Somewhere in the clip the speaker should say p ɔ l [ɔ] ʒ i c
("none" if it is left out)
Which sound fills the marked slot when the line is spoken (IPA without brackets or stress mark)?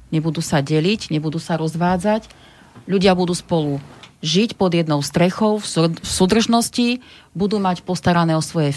u